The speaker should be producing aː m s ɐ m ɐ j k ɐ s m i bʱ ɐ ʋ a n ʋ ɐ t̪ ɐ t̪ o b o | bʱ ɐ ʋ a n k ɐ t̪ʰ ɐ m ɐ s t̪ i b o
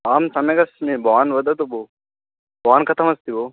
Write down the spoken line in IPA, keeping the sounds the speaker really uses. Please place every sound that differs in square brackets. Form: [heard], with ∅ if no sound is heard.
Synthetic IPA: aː m s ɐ m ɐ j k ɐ s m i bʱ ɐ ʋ a n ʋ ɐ [d̪] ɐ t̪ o b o | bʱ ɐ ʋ a n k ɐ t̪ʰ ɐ m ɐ s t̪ i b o

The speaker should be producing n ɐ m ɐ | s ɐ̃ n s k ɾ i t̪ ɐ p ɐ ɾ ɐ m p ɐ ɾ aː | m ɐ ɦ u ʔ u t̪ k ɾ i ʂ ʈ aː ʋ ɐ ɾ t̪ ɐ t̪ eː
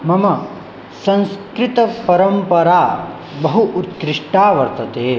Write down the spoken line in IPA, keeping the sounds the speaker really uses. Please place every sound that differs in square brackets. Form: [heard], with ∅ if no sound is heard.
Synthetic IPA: [m] ɐ m ɐ | s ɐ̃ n s k ɾ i t̪ ɐ p ɐ ɾ ɐ m p ɐ ɾ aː | [b] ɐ ɦ u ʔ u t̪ k ɾ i ʂ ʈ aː ʋ ɐ ɾ t̪ ɐ t̪ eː

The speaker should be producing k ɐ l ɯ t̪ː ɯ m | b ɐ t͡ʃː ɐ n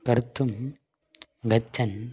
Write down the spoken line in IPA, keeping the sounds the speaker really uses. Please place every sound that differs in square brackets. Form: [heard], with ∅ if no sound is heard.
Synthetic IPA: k ɐ [ɾ] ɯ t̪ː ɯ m | [ɡ] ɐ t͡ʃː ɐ n

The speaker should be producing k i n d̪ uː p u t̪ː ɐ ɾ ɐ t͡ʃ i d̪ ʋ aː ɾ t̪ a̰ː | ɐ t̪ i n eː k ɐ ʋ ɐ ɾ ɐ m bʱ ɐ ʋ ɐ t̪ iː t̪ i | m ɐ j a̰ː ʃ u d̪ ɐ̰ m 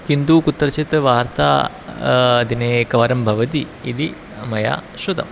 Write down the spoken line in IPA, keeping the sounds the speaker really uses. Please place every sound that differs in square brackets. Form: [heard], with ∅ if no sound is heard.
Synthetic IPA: k i n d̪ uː [k] u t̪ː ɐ ɾ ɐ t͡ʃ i [t̪] ʋ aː ɾ t̪ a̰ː | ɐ [d̪] i n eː k ɐ ʋ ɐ ɾ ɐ m bʱ ɐ ʋ ɐ t̪ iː [d̪] i | m ɐ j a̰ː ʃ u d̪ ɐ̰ m

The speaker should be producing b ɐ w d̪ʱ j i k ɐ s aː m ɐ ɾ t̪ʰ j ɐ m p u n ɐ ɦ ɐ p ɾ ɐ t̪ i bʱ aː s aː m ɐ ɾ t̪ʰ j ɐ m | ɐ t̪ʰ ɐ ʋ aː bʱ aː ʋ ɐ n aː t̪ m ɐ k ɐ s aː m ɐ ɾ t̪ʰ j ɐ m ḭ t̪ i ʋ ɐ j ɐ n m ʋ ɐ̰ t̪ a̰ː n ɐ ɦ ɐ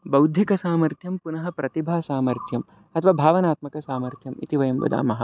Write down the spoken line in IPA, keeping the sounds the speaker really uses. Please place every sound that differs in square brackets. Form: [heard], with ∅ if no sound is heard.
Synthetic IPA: b ɐ w d̪ʱ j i k ɐ s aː m ɐ ɾ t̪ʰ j ɐ m p u n ɐ ɦ ɐ p ɾ ɐ t̪ i bʱ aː s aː m ɐ ɾ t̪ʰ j ɐ m | ɐ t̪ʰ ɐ ʋ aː bʱ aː ʋ ɐ n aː t̪ m ɐ k ɐ s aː m ɐ ɾ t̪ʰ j ɐ m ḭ t̪ i ʋ ɐ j ɐ [∅] m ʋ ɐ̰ [d̪] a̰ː [m] ɐ ɦ ɐ

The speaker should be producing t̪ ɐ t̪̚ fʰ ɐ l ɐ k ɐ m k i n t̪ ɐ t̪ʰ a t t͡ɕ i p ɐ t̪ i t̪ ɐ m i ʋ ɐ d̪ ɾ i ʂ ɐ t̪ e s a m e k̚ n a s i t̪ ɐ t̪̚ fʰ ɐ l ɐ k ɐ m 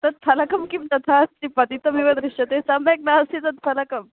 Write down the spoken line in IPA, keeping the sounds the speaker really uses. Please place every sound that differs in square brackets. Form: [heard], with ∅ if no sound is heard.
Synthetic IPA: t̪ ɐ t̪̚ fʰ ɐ l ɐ k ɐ m k i [m] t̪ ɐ t̪ʰ a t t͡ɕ i p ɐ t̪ i t̪ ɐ m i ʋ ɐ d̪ ɾ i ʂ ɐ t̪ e s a m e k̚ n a s i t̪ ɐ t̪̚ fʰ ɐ l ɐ k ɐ m

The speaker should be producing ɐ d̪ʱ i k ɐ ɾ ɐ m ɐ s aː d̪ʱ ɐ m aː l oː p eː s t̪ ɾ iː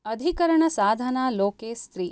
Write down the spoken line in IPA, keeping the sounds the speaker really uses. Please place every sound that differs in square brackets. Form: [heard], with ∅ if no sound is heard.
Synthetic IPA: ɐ d̪ʱ i k ɐ ɾ ɐ [ɳ] ɐ s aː d̪ʱ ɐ [n] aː l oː [k] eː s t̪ ɾ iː

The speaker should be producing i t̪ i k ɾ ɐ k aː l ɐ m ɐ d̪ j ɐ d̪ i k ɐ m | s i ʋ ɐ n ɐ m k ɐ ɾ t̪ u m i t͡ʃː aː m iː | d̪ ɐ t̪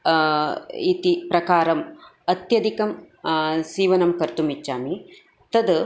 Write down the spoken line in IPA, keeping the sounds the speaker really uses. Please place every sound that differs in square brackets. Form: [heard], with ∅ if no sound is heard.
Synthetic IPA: i t̪ i [p] ɾ ɐ k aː [ɾ] ɐ m ɐ [t̪] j ɐ d̪ i k ɐ m | s [iː] ʋ ɐ n ɐ m k ɐ ɾ t̪ u m i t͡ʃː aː m [i] | [t̪] ɐ [d̪]

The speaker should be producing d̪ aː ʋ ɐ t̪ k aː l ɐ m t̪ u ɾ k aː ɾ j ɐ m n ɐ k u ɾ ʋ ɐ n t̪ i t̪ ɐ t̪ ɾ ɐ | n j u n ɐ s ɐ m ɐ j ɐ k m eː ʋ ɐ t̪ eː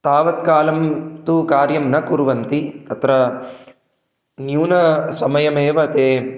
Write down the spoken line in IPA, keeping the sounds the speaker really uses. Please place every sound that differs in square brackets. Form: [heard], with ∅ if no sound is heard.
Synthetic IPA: [t̪] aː ʋ ɐ t̪ k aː l ɐ m t̪ u [∅] k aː ɾ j ɐ m n ɐ k u ɾ ʋ ɐ n t̪ i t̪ ɐ t̪ ɾ ɐ | n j [uː] n ɐ s ɐ m ɐ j ɐ [∅] m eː ʋ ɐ t̪ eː

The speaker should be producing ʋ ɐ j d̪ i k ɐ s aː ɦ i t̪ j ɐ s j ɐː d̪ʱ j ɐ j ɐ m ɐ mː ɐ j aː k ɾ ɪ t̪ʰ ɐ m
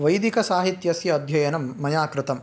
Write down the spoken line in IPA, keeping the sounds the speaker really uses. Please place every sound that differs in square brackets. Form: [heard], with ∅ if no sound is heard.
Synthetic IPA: ʋ ɐ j d̪ i k ɐ s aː ɦ i t̪ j ɐ s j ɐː d̪ʱ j ɐ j ɐ [n] ɐ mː ɐ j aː k ɾ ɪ [t̪] ɐ m

